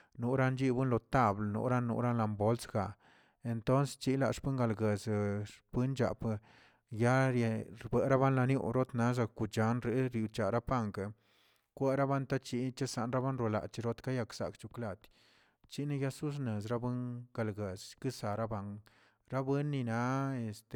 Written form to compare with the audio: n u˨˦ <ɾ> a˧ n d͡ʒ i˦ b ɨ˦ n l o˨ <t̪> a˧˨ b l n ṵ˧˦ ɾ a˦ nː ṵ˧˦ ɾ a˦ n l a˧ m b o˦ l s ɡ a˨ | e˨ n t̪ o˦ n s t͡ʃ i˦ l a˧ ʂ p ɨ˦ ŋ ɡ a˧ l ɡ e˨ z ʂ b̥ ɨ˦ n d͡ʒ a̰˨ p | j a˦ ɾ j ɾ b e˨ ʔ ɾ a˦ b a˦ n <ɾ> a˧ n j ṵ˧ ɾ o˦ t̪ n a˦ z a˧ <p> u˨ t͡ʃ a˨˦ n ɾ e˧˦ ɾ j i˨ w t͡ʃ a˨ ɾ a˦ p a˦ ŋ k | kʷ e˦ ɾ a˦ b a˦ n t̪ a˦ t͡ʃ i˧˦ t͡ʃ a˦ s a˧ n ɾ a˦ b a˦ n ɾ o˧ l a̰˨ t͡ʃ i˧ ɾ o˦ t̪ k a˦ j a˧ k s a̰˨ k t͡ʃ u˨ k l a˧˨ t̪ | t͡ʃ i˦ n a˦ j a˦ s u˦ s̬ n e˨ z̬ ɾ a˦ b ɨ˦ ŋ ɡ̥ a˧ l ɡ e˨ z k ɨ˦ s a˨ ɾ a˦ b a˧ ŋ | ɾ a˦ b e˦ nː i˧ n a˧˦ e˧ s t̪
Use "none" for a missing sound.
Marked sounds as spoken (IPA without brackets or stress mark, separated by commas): ɾ, t̪, l, k